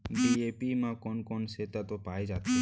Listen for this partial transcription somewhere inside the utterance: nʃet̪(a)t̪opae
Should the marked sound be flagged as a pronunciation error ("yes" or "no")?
no